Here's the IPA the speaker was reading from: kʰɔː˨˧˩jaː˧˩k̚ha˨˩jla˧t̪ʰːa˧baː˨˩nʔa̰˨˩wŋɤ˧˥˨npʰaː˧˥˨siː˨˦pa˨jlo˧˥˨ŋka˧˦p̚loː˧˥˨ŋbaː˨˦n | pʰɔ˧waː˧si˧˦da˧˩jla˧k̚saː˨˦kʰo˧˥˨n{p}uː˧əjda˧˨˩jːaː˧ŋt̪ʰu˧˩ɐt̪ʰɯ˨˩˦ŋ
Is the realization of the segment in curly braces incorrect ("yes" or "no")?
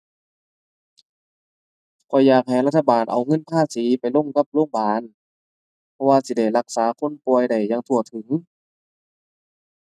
no